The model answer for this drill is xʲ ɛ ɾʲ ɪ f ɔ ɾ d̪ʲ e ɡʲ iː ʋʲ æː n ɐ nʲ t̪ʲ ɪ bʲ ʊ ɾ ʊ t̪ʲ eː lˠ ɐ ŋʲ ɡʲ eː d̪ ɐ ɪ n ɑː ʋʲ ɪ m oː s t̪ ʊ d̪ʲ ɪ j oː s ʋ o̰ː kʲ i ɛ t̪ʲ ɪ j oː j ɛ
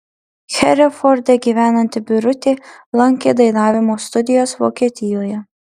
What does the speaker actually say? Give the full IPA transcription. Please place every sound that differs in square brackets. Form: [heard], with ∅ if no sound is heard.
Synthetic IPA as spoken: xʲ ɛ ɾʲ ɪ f ɔ ɾ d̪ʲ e ɡʲ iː ʋʲ æː n ɐ nʲ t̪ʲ ɪ bʲ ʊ ɾ ʊ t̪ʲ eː lˠ ɐ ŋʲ [kʲ] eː d̪ ɐ ɪ n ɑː ʋʲ ɪ m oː s t̪ ʊ d̪ʲ ɪ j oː s ʋ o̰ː kʲ i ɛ t̪ʲ ɪ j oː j ɛ